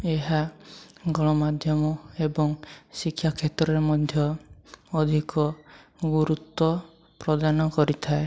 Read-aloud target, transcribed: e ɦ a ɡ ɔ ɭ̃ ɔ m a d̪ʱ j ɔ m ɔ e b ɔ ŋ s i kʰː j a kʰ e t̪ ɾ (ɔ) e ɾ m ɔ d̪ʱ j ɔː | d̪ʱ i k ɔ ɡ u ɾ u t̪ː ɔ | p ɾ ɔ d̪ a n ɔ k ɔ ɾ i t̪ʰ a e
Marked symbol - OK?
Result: yes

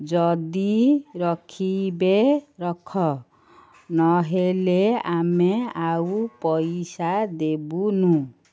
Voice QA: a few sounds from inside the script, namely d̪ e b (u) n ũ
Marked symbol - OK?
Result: yes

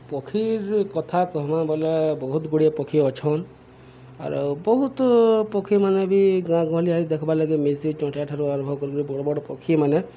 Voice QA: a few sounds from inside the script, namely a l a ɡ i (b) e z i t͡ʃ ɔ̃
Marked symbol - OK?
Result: no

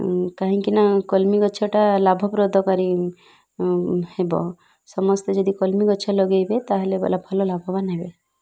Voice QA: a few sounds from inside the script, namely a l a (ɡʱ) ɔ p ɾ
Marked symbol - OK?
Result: no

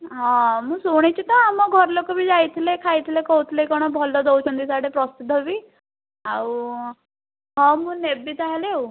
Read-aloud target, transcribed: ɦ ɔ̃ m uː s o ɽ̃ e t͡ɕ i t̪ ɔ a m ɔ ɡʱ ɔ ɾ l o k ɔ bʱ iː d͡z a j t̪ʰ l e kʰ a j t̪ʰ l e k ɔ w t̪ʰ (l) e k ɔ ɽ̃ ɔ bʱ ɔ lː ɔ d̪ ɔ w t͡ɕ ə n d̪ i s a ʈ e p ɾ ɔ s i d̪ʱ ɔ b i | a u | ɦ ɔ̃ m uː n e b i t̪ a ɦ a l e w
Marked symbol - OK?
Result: yes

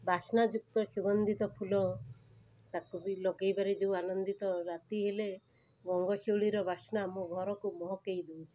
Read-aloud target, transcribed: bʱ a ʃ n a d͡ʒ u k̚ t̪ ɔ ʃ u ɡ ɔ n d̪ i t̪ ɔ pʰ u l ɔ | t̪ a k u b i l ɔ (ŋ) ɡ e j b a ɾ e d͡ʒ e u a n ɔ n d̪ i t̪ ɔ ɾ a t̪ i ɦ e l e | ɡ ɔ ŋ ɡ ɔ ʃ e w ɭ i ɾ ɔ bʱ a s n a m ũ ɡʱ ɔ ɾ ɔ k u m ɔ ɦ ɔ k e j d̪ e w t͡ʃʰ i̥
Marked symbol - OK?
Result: no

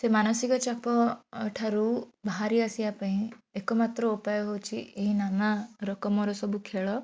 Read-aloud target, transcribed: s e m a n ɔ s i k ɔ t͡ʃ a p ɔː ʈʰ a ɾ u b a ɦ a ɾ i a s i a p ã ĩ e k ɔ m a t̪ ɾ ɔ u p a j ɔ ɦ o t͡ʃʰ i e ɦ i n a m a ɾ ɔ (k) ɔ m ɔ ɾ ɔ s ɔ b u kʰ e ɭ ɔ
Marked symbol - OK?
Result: yes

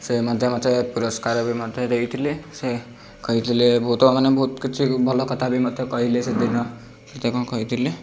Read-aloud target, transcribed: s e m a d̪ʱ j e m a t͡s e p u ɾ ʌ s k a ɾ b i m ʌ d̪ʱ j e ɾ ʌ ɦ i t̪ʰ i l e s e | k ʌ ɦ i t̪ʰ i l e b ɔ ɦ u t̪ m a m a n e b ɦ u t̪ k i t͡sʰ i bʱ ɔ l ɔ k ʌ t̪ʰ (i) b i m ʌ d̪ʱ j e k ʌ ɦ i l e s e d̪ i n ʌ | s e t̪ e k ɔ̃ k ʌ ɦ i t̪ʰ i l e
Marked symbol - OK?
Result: no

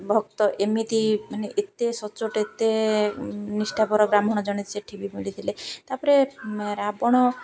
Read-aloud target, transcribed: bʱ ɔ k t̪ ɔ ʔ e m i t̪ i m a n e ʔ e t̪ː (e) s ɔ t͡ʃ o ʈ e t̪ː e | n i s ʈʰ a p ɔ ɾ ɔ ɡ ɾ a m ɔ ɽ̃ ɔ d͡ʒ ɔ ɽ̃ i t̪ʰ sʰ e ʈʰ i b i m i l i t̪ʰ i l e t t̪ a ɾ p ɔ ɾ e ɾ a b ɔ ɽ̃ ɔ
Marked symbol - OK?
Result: yes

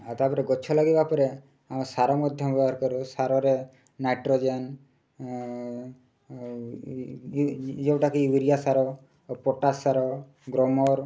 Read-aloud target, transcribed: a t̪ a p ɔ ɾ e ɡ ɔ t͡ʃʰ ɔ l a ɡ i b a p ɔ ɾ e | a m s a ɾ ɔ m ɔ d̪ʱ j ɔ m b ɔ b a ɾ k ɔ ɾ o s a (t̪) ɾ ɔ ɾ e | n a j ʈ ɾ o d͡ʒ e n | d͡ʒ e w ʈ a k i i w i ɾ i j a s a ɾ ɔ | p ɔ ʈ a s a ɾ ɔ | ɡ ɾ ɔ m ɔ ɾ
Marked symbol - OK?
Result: no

